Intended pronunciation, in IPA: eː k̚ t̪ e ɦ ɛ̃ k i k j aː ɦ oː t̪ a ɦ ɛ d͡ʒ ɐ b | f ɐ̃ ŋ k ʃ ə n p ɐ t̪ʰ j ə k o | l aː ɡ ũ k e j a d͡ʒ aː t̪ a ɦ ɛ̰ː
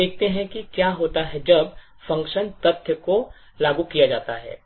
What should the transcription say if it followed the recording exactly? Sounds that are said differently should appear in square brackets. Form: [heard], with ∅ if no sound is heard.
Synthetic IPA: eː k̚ t̪ e ɦ ɛ̃ k i k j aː ɦ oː t̪ a ɦ ɛ d͡ʒ ɐ b | f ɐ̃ ŋ k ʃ ə n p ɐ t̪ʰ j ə k o | l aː ɡ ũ k [i] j a d͡ʒ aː t̪ a ɦ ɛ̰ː

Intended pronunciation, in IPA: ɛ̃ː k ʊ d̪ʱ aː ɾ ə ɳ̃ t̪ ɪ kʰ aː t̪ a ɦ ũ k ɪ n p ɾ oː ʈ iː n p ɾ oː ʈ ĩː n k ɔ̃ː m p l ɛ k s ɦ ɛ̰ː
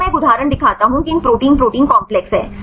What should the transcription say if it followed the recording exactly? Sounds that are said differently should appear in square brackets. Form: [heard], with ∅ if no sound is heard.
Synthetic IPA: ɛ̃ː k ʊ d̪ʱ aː ɾ ə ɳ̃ [d̪] ɪ kʰ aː t̪ a ɦ ũ k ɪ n p ɾ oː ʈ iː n p ɾ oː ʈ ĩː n k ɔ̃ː m p l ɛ k s ɦ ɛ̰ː

